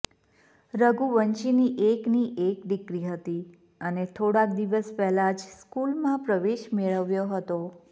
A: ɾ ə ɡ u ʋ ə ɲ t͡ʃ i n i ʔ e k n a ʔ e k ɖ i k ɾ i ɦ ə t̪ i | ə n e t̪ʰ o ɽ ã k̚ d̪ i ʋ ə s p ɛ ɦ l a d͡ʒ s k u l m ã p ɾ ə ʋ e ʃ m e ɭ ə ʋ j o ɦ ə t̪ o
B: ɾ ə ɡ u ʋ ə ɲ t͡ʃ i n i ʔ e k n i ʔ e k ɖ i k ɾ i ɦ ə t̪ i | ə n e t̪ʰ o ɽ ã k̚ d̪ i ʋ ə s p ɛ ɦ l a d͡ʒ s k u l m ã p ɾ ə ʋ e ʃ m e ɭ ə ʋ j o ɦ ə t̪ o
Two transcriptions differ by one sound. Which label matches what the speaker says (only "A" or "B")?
B